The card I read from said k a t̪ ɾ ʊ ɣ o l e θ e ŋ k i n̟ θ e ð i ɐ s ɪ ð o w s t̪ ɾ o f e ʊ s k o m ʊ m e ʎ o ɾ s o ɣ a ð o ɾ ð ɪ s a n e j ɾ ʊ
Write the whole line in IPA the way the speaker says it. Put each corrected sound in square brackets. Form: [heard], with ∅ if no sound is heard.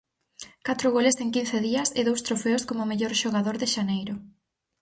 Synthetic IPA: k a t̪ ɾ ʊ ɣ o l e [s] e ŋ k i n̟ θ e ð i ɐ s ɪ ð o w s t̪ ɾ o f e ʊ s k o m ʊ m e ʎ o ɾ [ʃ] o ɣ a ð o ɾ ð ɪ [ʃ] a n e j ɾ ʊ